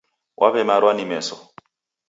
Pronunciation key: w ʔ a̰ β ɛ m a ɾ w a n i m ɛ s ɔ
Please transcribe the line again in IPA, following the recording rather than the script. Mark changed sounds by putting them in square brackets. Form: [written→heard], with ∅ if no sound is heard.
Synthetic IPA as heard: w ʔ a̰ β ɛ m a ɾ w a n i m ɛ s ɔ

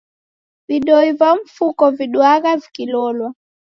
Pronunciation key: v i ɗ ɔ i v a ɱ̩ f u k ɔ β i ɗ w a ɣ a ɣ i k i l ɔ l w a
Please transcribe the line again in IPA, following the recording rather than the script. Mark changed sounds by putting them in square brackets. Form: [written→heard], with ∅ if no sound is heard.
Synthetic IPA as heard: v i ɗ ɔ i v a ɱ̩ f u k ɔ [β→v] i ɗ w a ɣ a [ɣ→v] i k i l ɔ l w a

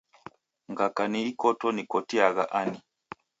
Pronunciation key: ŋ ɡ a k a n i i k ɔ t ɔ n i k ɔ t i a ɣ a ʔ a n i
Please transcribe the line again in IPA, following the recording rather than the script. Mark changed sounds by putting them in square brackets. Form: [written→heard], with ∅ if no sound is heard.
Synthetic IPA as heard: ŋ ɡ a k a n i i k ɔ t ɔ n i k ɔ t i a ɣ a ʔ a n i

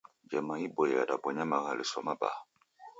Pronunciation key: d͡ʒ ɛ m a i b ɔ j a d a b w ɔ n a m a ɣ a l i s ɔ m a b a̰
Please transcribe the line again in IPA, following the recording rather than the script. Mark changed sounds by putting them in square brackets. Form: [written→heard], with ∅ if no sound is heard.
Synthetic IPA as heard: d͡ʒ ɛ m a i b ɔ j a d a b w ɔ [n→ɲ] a m a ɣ a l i s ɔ m a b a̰

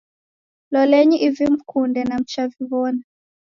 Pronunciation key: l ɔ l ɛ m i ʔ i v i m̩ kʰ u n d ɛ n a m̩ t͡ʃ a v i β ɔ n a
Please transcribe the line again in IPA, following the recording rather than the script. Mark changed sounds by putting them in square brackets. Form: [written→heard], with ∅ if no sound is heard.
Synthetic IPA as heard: l ɔ l ɛ [m→ɲ] i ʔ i v i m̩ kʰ u n d ɛ n a m̩ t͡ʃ a v i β ɔ n a

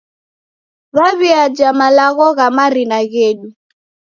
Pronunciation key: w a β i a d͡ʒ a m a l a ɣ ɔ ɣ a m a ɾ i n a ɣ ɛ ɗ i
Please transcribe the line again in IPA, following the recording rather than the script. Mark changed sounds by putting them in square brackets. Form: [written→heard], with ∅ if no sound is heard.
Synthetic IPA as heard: [w→β] a β i a d͡ʒ a m a l a ɣ ɔ ɣ a m a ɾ i n a ɣ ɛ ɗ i

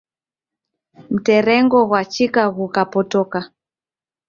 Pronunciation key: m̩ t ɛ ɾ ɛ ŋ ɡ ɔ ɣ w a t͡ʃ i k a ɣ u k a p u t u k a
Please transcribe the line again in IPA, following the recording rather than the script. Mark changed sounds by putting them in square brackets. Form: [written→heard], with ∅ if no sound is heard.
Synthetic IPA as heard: m̩ t ɛ ɾ ɛ ŋ ɡ ɔ ɣ w a t͡ʃ i k a ɣ u k a p [u→ɔ] t [u→ɔ] k a

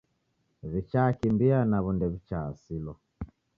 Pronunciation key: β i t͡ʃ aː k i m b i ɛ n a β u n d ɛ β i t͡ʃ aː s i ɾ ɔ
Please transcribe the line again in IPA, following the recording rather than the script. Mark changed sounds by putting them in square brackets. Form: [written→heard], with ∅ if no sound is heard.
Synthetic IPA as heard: β i t͡ʃ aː k i m b i [ɛ→a] n a β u n d ɛ β i t͡ʃ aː s i [ɾ→l] ɔ

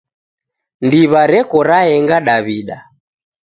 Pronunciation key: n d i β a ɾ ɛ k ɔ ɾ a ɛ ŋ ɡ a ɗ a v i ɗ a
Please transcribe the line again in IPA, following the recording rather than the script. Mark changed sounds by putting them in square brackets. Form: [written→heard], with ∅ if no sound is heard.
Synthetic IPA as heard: n d i β a ɾ ɛ k ɔ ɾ a ɛ ŋ ɡ a ɗ a [v→β] i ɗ a

